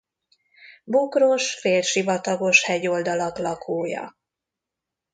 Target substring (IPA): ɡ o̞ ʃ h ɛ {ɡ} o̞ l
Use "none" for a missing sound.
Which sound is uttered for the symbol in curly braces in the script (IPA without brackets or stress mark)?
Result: ɟ